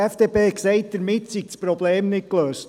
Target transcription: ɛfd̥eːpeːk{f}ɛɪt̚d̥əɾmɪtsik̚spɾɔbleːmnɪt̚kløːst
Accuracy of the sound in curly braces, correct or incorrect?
incorrect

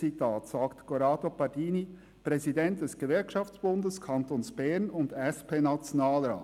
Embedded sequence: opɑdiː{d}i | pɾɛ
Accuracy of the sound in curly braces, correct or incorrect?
incorrect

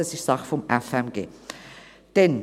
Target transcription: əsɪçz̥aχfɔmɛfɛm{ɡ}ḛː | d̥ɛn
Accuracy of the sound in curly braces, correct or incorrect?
correct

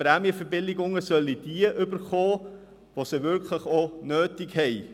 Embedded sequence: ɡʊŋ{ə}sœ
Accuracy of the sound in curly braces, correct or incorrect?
correct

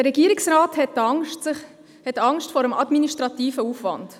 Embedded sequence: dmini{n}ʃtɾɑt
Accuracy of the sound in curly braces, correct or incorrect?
incorrect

